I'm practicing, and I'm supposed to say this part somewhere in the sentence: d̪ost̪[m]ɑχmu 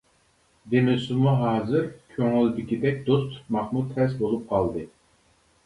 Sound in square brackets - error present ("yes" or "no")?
no